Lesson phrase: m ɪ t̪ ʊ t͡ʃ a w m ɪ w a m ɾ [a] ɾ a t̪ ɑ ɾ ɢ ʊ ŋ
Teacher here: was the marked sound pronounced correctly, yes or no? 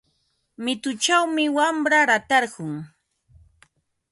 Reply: yes